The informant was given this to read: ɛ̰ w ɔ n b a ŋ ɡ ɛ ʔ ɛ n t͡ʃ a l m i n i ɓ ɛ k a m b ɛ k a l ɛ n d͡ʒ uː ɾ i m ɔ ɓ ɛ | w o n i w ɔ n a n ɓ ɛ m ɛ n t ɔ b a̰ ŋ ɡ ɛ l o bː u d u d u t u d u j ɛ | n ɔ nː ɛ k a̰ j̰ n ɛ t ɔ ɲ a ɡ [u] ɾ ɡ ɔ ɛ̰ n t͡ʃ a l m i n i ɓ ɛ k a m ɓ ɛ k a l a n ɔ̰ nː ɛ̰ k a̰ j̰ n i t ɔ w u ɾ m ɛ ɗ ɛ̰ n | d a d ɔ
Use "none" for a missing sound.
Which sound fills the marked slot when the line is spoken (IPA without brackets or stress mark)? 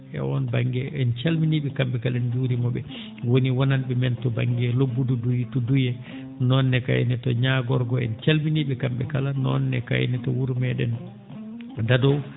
ɔ